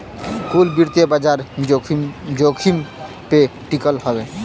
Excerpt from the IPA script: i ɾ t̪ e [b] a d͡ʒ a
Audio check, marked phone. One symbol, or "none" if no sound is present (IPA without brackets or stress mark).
b